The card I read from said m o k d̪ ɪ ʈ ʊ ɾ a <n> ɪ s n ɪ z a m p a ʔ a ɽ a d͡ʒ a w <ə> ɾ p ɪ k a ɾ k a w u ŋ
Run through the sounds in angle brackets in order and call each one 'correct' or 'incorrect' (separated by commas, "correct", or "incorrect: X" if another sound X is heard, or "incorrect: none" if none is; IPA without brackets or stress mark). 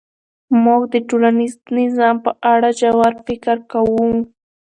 correct, incorrect: a